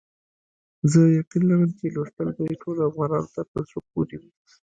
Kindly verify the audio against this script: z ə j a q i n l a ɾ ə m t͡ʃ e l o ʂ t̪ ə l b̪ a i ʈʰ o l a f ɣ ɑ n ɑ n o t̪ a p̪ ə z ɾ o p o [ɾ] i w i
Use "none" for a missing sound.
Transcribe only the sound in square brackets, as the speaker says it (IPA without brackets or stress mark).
ɾ